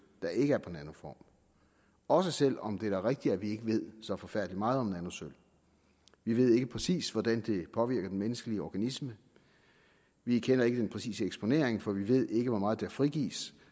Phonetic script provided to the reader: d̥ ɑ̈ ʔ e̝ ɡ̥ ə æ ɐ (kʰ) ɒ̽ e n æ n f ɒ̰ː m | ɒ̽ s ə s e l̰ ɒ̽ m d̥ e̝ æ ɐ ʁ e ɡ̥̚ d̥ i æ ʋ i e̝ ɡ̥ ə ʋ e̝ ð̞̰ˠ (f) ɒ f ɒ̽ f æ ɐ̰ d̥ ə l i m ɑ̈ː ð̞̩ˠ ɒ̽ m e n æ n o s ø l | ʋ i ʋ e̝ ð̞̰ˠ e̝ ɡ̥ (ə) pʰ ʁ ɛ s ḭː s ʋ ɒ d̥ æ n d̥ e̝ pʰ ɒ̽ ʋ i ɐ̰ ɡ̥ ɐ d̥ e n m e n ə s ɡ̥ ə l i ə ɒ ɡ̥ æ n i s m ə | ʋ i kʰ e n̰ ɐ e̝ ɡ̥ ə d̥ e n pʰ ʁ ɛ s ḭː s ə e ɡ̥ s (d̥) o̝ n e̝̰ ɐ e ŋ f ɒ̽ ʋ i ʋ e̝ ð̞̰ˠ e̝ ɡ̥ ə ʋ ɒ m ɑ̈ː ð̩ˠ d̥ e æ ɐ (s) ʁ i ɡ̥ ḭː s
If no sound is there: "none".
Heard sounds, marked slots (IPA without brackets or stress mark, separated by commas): pʰ, s, ə, b̥, f